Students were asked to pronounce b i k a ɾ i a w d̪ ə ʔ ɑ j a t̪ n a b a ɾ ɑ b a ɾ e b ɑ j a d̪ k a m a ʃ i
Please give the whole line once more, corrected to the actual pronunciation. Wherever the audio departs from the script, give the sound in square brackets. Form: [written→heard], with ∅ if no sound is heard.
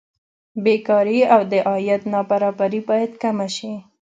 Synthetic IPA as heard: b [i→e] k [a→ɑ] ɾ i a w d̪ ə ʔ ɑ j a t̪ n [a→ɑ] b a ɾ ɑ b a ɾ [e→i] b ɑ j a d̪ k a m a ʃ i

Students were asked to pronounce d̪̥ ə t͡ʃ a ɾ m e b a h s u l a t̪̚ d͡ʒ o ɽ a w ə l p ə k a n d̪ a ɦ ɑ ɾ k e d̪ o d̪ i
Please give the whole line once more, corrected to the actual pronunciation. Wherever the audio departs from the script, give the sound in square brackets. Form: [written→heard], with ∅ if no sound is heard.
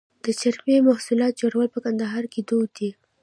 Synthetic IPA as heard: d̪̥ ə t͡ʃ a ɾ m e [b→m] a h s u l [a→ɑ] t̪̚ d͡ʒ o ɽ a w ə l p ə k a n d̪ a ɦ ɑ ɾ k e d̪ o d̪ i

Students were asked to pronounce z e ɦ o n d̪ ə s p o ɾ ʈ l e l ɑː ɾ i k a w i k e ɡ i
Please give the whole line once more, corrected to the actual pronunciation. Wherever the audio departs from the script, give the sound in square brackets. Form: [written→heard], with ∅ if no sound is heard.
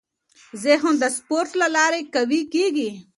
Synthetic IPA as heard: z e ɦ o n d̪ ə s p o ɾ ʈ l [e→a] l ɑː ɾ [i→e] k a w i k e ɡ i

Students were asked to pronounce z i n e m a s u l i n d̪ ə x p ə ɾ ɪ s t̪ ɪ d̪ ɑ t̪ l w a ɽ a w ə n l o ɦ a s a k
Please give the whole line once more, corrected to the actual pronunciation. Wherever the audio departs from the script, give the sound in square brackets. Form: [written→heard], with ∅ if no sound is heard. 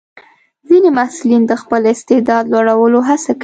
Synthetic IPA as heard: z i n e m a s u l i n d̪ ə x p ə [ɾ→l] ɪ s t̪ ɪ d̪ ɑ [t̪→d̪] l w a ɽ a w ə [n→∅] l o ɦ a s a k

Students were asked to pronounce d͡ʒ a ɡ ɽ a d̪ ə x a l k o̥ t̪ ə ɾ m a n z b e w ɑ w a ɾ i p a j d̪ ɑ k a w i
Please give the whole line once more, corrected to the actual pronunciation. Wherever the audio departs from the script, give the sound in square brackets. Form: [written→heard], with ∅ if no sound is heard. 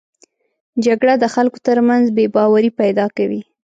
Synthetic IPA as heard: d͡ʒ a ɡ ɽ a d̪ ə x a l k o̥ t̪ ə ɾ m a n z b e [w→b] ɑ w a ɾ i p a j d̪ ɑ k a w i

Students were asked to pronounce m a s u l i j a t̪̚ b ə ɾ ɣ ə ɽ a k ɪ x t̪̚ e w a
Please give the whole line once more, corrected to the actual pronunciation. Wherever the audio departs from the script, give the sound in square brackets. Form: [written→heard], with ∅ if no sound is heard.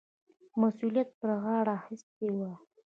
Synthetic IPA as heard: m a s u l i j a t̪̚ [b→p] ə ɾ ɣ [ə→ɑ] ɽ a [k→x] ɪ [x→s] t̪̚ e w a

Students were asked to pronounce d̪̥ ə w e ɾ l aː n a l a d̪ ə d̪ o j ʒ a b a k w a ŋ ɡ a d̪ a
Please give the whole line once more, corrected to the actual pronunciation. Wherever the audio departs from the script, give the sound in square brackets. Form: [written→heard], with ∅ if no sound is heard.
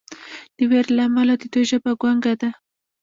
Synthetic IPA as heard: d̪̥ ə w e ɾ l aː [n→m] a l a d̪ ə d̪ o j ʒ a b a [k→ɡ] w a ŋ ɡ a d̪ a

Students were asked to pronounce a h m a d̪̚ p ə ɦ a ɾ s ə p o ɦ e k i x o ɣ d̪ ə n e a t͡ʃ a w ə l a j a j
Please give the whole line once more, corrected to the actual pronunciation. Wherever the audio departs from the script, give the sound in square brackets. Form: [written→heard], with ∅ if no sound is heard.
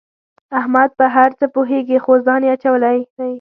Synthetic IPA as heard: a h m a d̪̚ p ə ɦ a ɾ [s→t͡s] ə p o ɦ e [k→ɡ] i x o [ɣ→z] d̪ [ə→ɑ] n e a t͡ʃ a w ə l a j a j

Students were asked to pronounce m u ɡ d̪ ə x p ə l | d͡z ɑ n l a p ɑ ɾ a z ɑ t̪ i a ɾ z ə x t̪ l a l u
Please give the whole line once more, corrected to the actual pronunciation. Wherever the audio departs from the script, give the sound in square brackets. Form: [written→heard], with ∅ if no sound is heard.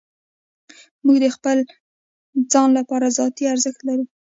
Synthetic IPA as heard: m u ɡ d̪ ə x p ə l | d͡z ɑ n l a p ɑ ɾ a z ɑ t̪ i a ɾ z ə x t̪ l a [l→ɾ] u

